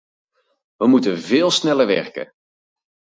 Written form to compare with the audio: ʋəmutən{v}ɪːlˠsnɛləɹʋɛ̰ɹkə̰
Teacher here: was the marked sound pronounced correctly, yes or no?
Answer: yes